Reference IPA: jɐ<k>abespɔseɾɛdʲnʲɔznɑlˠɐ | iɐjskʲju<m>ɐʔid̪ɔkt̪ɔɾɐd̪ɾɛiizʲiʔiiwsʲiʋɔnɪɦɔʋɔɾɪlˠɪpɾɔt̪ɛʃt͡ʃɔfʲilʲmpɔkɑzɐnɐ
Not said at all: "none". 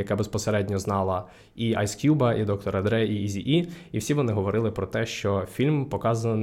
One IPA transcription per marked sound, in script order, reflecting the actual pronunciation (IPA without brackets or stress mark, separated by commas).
k, b